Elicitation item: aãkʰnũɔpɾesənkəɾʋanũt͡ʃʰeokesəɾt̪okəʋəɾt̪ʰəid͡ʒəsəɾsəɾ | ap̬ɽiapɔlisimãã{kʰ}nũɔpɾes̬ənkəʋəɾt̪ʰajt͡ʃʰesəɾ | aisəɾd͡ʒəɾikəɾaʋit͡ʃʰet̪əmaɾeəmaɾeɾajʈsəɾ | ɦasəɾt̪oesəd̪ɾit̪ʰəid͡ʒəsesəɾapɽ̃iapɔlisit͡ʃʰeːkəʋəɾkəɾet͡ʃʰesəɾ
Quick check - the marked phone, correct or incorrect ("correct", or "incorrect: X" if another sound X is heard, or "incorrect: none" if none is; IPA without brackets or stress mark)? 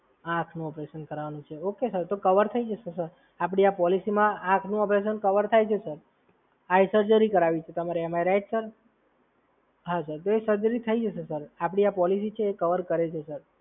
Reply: correct